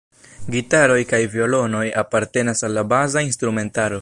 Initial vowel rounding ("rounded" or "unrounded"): unrounded